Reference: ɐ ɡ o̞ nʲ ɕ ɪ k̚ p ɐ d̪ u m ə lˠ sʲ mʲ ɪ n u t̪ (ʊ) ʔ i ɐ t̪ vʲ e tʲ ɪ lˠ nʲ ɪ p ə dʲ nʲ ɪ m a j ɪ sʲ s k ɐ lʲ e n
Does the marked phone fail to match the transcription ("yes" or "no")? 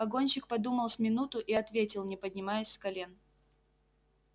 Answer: no